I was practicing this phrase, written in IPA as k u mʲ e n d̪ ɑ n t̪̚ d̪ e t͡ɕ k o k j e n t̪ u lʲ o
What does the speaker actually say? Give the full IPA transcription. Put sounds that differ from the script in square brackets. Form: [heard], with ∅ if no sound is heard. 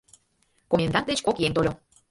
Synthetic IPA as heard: k [o] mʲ e n d̪ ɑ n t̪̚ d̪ e t͡ɕ k o k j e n t̪ [o] lʲ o